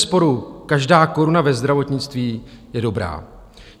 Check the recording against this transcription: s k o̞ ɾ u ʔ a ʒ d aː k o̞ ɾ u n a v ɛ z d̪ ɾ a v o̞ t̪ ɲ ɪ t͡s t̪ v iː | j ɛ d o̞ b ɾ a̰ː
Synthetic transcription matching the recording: s p o̞ ɾ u k a ʒ d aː k o̞ ɾ u n a v ɛ z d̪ ɾ a v o̞ t̪ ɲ ɪ t͡s t̪ v iː | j ɛ d o̞ b ɾ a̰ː